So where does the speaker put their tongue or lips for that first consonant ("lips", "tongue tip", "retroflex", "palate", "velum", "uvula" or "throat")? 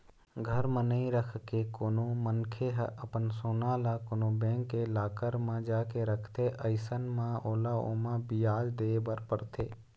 velum